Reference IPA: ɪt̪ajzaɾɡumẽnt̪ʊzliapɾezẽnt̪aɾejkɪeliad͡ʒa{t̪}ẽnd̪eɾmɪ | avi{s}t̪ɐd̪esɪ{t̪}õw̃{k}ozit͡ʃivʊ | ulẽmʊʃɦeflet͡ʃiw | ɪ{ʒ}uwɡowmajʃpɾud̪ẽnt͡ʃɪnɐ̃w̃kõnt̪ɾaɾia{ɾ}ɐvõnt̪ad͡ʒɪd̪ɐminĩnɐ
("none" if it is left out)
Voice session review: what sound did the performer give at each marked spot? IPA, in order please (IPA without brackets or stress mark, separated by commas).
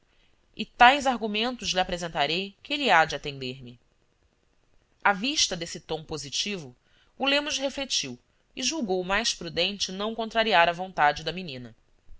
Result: t̪, ʃ, t̪, p, ʒ, ɾ